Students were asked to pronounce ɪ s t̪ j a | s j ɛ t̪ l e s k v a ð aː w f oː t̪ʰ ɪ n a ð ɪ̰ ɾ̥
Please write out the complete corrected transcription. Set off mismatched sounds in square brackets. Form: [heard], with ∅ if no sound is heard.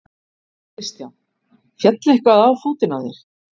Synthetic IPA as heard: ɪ s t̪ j a | [f] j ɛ t̪ l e [h] k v a ð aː w f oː [t̪] ɪ n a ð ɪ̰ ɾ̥